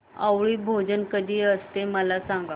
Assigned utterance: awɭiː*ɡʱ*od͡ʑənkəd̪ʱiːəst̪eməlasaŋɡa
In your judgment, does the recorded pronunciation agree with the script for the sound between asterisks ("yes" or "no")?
no